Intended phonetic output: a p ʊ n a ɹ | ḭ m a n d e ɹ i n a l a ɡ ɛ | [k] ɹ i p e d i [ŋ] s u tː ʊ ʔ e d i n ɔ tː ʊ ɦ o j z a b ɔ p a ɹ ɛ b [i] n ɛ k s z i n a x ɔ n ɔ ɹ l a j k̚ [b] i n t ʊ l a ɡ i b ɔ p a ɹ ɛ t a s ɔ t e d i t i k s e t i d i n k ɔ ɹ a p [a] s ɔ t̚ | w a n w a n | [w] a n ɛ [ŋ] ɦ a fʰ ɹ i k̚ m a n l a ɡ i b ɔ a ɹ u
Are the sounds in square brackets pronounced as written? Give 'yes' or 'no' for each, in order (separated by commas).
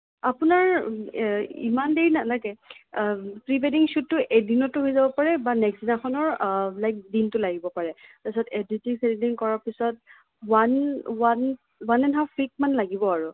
no, yes, no, no, no, yes, no